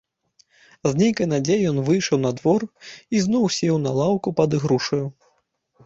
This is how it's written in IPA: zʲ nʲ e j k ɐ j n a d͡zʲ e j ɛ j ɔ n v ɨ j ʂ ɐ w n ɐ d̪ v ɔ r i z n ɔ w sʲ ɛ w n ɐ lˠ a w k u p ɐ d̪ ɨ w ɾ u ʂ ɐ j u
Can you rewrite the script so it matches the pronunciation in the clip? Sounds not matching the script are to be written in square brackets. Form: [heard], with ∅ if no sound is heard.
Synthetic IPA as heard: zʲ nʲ e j k ɐ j n a d͡zʲ e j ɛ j ɔ n v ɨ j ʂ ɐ w n ɐ d̪ v ɔ r i z n ɔ w sʲ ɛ w n ɐ lˠ a w k u p ɐ d̪ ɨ [ɣ] ɾ u ʂ ɐ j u

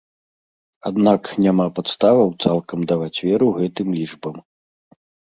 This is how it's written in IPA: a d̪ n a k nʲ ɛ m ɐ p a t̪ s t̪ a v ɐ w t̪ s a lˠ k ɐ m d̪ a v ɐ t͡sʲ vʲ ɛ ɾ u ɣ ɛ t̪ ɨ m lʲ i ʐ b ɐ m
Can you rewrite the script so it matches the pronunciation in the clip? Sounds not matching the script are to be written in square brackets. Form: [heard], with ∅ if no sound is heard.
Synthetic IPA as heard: a d̪ n a k nʲ [a] m [a] p a t̪ s t̪ a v ɐ w t̪ s a lˠ k ɐ m d̪ a v [a] t͡sʲ vʲ ɛ ɾ u ɣ ɛ t̪ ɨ m lʲ i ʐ b ɐ m

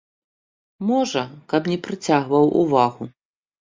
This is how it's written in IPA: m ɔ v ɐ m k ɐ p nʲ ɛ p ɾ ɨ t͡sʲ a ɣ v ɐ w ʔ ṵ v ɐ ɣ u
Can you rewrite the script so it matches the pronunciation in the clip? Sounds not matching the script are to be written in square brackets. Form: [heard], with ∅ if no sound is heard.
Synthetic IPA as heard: m ɔ [ʐ] ɐ [∅] k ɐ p nʲ ɛ p ɾ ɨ t͡sʲ a ɣ v ɐ w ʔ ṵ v [a] ɣ u

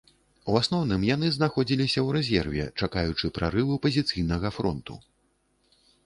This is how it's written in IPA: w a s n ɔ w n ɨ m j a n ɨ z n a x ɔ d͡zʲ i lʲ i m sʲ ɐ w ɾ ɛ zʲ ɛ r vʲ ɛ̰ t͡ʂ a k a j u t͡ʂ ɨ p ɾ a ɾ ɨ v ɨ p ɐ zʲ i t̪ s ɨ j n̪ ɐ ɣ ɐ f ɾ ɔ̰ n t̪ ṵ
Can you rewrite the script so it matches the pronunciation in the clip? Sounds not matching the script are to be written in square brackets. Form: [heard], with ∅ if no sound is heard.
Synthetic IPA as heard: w a s n ɔ w n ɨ m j a n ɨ z n a x ɔ d͡zʲ i lʲ i [∅] sʲ ɐ w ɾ ɛ zʲ ɛ r vʲ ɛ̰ t͡ʂ a k a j u t͡ʂ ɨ p ɾ a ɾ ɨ v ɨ p ɐ zʲ i t̪ s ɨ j n̪ ɐ ɣ ɐ f ɾ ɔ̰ n t̪ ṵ

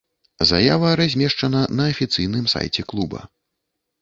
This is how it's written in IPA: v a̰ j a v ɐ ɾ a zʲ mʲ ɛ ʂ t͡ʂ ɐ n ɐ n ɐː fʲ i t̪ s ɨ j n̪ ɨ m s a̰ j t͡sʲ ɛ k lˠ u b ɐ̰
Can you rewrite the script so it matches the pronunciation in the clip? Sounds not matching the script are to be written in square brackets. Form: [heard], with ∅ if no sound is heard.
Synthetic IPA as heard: [z] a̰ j a v ɐ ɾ a zʲ mʲ ɛ ʂ t͡ʂ ɐ n ɐ n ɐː fʲ i t̪ s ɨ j n̪ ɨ m s a̰ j t͡sʲ ɛ k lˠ u b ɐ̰

